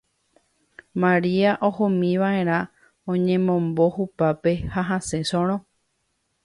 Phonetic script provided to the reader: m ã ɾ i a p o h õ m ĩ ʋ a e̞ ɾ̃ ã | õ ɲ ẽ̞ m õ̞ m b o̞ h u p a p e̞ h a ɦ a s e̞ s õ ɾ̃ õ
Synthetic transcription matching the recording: m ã ɾ i a ʔ o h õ m ĩ ʋ a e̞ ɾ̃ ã | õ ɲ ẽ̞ m õ̞ m b o̞ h u p a p e̞ h a ɦ a s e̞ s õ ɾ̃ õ